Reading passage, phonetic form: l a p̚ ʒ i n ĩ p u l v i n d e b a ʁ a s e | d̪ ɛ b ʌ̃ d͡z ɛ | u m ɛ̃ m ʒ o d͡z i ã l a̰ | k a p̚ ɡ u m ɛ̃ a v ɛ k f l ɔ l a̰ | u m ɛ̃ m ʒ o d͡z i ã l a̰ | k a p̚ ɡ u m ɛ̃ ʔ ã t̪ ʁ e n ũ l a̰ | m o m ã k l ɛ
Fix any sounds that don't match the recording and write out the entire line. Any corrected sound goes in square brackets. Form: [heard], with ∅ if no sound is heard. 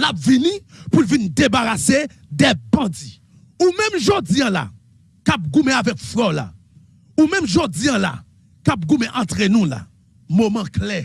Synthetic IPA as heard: l a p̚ [v] i n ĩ p u l v i n d e b a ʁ a s e | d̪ ɛ b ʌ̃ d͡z [i] | u m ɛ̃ m ʒ o d͡z i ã l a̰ | k a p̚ ɡ u m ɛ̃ a v ɛ k f l ɔ l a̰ | u m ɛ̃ m ʒ o d͡z i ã l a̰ | k a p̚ ɡ u m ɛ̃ ʔ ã t̪ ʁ e n ũ l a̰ | m o m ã k l ɛ

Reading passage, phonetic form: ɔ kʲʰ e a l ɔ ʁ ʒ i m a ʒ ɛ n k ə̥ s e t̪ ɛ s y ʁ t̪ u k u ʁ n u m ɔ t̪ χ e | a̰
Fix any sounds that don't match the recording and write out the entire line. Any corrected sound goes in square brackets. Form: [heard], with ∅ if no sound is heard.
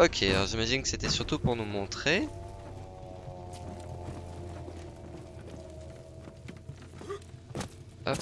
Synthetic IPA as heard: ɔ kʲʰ e a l ɔ ʁ ʒ i m a ʒ [i] n k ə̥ s e t̪ ɛ s y ʁ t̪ u [p] u ʁ n u m [ɔ̃] t̪ χ e | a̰

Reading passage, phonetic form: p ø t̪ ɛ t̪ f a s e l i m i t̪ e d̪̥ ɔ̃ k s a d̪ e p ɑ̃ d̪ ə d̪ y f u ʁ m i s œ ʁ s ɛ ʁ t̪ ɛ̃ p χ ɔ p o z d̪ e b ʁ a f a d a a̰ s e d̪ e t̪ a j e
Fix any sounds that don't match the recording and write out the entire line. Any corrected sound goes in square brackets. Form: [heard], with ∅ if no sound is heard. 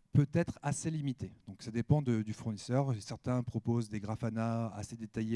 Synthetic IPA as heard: p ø t̪ ɛ t̪ [χ] a s e l i m i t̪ e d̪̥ ɔ̃ k s a d̪ e p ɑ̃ d̪ ə d̪ y f u ʁ [n] i s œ ʁ s ɛ ʁ t̪ ɛ̃ p χ ɔ p o z d̪ e [ɡ] ʁ a f a [n] a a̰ s e d̪ e t̪ a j e

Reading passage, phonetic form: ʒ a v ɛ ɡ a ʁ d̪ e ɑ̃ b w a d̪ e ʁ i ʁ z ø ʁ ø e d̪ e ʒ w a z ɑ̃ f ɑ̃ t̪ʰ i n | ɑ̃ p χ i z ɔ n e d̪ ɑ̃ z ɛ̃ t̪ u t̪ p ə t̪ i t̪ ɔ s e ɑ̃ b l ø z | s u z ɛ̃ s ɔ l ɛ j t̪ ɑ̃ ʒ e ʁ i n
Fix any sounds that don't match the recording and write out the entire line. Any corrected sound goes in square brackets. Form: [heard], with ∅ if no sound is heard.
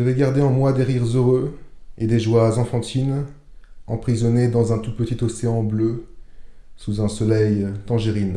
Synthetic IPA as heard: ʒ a v ɛ ɡ a ʁ d̪ e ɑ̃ [m] w a d̪ e ʁ i ʁ z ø ʁ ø e d̪ e ʒ w a z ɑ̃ f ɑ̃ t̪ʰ i n | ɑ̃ p χ i z ɔ n e d̪ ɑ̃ z ɛ̃ t̪ u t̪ p ə t̪ i t̪ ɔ s e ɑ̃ b l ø [∅] | s u z ɛ̃ s ɔ l ɛ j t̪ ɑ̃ ʒ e ʁ i n

